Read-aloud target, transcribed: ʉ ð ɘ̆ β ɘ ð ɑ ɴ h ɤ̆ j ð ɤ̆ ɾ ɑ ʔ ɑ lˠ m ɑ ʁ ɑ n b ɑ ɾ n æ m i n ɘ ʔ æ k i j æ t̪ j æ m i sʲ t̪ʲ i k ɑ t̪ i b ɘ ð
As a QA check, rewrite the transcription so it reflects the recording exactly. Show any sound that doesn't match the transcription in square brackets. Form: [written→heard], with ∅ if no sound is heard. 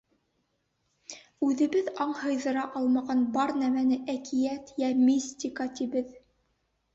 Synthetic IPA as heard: ʉ ð ɘ̆ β ɘ ð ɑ ɴ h ɤ̆ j ð ɤ̆ ɾ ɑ ʔ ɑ lˠ m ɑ ʁ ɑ n b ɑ ɾ n æ m [i→æ] n ɘ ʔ æ k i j æ t̪ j æ m i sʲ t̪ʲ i k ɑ t̪ i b ɘ ð